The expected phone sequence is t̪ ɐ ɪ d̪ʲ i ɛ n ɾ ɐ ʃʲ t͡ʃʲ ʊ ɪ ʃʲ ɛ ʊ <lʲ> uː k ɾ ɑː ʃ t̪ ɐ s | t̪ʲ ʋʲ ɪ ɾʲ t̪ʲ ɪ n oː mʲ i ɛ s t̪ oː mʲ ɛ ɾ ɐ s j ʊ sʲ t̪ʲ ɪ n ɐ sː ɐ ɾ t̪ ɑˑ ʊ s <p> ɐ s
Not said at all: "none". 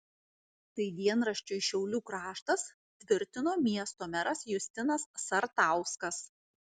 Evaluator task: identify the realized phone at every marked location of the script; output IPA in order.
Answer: lʲ, k

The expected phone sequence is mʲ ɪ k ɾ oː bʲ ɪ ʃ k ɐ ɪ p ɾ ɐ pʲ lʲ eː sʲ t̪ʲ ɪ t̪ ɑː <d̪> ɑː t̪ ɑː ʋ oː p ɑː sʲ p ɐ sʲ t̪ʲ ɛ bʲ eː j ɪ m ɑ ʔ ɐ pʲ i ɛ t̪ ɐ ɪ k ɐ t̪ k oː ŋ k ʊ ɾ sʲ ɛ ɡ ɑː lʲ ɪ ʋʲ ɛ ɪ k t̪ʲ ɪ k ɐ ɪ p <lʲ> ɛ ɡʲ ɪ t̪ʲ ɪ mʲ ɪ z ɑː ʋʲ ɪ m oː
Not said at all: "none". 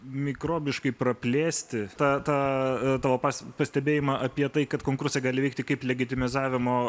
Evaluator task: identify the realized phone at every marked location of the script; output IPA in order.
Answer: t̪, lʲ

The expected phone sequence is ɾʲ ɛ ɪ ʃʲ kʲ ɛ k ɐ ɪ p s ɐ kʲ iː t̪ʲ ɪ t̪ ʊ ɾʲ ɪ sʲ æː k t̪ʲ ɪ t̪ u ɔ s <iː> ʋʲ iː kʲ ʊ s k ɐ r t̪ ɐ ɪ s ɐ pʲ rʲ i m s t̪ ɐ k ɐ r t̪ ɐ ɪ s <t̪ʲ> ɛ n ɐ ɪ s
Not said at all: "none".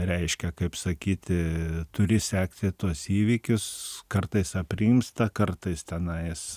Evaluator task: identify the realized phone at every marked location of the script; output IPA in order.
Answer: iː, t̪ʲ

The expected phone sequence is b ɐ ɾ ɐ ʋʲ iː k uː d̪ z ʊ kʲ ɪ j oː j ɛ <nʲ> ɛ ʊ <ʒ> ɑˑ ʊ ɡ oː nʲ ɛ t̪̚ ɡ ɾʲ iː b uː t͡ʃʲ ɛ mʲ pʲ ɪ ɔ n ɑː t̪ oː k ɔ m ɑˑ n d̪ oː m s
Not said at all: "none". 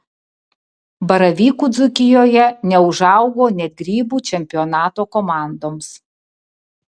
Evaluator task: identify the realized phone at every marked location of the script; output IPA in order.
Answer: nʲ, ʒ

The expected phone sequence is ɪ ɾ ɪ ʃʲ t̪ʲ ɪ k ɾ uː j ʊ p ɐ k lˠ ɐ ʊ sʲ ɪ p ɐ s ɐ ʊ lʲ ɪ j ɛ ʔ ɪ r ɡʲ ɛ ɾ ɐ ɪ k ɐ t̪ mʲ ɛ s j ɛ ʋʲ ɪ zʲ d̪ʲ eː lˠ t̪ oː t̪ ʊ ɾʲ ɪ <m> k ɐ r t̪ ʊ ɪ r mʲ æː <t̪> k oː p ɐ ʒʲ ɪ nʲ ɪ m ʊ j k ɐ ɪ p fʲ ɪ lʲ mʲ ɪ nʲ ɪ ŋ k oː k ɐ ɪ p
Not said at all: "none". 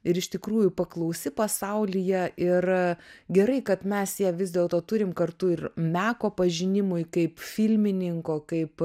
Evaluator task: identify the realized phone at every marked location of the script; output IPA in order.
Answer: m, none

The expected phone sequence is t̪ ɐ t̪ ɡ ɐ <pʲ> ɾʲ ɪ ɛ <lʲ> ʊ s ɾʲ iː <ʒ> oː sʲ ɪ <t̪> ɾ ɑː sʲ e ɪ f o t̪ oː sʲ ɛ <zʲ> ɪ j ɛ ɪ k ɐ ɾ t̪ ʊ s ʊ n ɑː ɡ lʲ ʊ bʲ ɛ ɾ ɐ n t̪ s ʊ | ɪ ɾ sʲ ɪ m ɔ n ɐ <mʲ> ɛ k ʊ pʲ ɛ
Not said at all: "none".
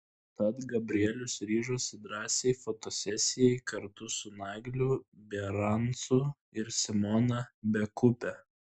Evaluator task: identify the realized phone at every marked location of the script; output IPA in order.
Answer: bʲ, lʲ, ʒ, d̪, sʲ, bʲ

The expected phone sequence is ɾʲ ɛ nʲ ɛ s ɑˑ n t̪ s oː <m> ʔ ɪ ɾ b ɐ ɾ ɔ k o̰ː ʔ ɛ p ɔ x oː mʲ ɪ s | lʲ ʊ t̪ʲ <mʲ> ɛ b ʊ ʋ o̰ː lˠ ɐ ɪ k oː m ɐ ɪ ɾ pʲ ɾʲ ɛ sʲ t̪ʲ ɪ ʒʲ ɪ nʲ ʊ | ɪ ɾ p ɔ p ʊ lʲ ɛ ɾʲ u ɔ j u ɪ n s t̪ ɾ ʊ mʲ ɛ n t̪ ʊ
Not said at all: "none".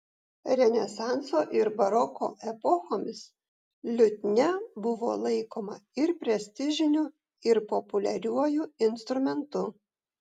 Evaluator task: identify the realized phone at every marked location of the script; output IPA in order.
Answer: none, nʲ

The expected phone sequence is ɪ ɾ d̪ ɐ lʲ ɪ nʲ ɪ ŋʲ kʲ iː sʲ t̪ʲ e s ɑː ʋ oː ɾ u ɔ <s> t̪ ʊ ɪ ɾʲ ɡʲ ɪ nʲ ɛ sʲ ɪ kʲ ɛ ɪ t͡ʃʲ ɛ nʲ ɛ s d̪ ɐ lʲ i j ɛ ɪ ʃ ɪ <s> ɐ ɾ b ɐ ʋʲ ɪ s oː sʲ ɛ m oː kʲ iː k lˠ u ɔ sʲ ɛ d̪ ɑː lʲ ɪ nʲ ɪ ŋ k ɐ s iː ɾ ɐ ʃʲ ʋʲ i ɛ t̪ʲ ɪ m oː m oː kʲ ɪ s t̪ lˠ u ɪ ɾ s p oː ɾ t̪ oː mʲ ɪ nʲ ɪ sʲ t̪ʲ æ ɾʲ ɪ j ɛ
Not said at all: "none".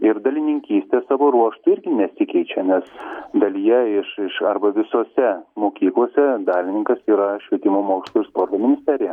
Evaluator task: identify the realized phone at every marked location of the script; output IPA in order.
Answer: ʃ, ʃ

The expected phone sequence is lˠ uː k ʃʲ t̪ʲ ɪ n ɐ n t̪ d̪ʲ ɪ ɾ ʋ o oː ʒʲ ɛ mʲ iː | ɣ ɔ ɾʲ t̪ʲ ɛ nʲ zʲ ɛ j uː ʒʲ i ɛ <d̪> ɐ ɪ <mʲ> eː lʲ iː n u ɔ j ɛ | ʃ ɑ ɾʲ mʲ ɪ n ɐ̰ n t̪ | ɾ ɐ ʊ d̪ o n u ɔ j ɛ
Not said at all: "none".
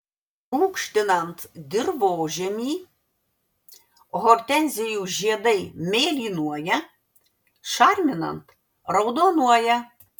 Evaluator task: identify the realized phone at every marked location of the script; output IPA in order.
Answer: d̪, mʲ

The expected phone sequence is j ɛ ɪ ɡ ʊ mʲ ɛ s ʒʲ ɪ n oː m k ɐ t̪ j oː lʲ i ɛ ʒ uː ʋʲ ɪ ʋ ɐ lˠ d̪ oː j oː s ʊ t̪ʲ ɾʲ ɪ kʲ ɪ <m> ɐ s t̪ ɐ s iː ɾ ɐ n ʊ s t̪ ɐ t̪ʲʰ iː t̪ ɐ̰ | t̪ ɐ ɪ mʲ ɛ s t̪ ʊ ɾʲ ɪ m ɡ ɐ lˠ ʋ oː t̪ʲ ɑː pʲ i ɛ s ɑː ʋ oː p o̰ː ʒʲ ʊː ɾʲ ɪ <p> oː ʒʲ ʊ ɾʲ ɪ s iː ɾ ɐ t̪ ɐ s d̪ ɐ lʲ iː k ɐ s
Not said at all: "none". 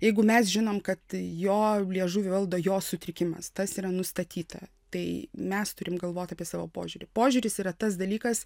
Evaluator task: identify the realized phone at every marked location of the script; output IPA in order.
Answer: m, p

